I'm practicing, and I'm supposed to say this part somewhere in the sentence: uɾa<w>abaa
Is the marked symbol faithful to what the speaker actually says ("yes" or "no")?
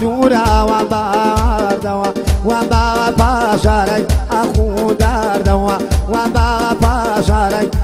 yes